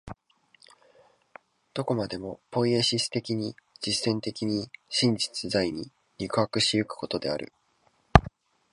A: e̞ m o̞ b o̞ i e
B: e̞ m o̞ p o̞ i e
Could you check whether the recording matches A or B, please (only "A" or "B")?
B